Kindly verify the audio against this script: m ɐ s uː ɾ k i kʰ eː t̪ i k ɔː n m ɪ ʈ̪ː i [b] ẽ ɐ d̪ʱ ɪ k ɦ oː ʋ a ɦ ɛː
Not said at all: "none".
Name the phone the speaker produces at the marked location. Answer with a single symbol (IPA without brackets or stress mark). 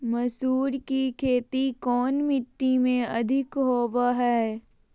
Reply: m